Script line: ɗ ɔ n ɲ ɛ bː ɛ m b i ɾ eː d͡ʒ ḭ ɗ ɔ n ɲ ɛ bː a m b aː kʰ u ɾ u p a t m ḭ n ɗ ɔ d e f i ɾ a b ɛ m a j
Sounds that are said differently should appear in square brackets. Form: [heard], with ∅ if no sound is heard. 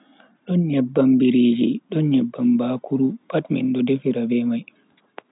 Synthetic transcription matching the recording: ɗ ɔ n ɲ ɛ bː [a] m b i ɾ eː d͡ʒ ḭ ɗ ɔ n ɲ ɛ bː a m b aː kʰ u ɾ u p a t m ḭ n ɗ ɔ d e f i ɾ a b ɛ m a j